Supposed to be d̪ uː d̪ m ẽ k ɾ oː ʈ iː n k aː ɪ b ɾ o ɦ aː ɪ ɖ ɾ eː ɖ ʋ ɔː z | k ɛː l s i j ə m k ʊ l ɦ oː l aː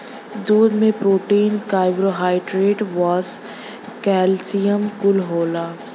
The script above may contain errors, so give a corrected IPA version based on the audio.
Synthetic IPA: d̪ uː d̪ m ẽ p ɾ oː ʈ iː n k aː ɪ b ɾ o ɦ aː ɪ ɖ ɾ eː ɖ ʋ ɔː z | k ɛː l s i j ə m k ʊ l ɦ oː l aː